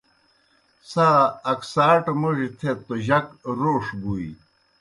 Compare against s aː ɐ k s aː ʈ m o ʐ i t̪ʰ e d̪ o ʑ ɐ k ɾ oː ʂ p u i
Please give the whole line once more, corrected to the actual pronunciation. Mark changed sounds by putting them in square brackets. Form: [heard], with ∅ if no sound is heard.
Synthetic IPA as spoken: s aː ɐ k s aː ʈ m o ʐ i t̪ʰ e [t̪] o ʑ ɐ k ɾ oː ʂ [b] u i